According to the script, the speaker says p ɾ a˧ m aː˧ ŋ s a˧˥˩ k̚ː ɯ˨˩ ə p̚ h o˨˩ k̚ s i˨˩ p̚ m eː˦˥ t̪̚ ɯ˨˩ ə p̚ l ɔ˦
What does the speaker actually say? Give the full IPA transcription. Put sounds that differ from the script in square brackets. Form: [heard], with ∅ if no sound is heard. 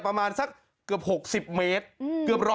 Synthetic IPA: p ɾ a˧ m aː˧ [n] s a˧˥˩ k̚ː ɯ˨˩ ə p̚ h o˨˩ k̚ s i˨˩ p̚ m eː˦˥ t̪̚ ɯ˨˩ ə p̚ [ɾ] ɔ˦